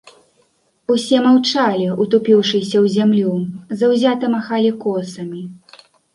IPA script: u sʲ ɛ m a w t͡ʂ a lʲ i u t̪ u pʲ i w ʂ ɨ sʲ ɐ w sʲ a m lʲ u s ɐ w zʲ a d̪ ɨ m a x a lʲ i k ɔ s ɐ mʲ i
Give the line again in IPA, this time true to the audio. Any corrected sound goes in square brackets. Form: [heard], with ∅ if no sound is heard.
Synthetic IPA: u sʲ ɛ m a w t͡ʂ a lʲ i u t̪ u pʲ i w ʂ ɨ sʲ ɐ w [zʲ] a m lʲ u [z] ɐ w zʲ a [t̪] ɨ m a x a lʲ i k ɔ s ɐ mʲ i

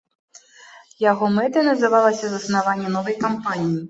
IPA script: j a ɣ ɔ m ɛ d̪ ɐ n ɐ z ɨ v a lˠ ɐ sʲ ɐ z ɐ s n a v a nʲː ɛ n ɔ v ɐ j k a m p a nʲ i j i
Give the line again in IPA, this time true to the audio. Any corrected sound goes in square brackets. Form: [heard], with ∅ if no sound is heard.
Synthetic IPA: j a ɣ ɔ m ɛ [t̪] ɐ n ɐ z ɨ v a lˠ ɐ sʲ ɐ z ɐ s n a v a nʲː ɛ n ɔ v ɐ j k a m p a nʲ i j i

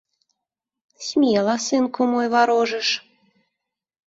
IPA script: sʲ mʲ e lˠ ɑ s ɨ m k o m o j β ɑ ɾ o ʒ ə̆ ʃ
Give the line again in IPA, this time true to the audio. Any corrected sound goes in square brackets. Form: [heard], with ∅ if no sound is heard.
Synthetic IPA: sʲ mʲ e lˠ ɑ s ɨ [n] k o m o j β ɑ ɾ o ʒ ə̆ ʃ

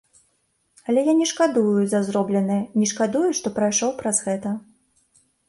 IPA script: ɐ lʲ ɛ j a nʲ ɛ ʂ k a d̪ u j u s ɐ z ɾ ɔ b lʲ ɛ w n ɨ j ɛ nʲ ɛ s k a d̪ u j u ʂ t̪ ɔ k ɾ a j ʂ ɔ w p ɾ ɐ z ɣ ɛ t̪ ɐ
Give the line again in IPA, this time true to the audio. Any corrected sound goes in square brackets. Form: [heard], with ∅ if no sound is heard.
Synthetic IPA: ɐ lʲ ɛ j a nʲ ɛ ʂ k a d̪ u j u [z] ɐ z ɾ ɔ b lʲ ɛ [∅] n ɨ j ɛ nʲ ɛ [ʂ] k a d̪ u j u ʂ t̪ ɔ [p] ɾ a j ʂ ɔ w p ɾ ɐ z ɣ ɛ t̪ ɐ

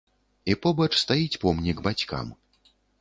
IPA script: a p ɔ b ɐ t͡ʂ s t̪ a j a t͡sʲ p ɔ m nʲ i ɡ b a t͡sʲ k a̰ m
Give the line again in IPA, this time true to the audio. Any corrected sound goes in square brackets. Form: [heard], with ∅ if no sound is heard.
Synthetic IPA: [i] p ɔ b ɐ t͡ʂ s t̪ a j [i] t͡sʲ p ɔ m nʲ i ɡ b a t͡sʲ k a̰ m

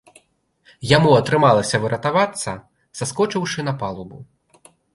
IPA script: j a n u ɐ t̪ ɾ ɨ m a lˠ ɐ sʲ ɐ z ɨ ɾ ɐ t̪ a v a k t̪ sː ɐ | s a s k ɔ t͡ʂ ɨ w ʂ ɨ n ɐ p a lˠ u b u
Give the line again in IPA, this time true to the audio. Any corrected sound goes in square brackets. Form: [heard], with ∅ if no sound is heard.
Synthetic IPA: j a [m] u ɐ t̪ ɾ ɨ m a lˠ ɐ sʲ ɐ [v] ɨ ɾ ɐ t̪ a v a [∅] t̪ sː ɐ | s a s k ɔ t͡ʂ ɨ w ʂ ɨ n ɐ p a lˠ u b u

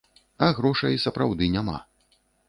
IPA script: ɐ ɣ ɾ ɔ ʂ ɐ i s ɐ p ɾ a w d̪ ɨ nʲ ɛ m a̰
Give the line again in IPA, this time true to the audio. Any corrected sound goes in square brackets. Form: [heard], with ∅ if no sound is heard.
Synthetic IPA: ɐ ɣ ɾ ɔ ʂ ɐ [j] s ɐ p ɾ a w d̪ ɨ nʲ [a] m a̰

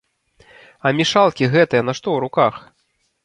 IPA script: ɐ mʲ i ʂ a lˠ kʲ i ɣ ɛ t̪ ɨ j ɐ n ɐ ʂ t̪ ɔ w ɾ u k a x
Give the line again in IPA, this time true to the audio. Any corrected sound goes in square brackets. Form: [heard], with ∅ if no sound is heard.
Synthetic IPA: ɐ mʲ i ʂ a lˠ kʲ i ɣ ɛ t̪ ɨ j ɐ n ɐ ʂ t̪ ɔ w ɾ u k a x

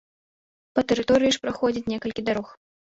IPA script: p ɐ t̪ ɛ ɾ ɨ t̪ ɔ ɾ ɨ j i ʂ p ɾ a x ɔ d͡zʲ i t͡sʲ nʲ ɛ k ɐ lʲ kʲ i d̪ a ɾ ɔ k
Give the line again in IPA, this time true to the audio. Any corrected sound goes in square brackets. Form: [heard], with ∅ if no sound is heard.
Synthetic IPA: p ɐ t̪ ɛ ɾ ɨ t̪ ɔ ɾ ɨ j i ʂ p ɾ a x ɔ d͡zʲ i t͡sʲ nʲ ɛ k ɐ lʲ kʲ i d̪ a ɾ ɔ [x]

